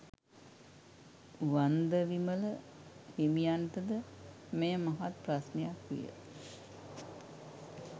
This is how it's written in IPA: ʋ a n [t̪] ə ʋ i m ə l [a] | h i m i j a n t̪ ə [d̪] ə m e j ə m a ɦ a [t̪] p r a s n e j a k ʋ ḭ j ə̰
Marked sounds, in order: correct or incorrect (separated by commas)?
incorrect, incorrect, correct, correct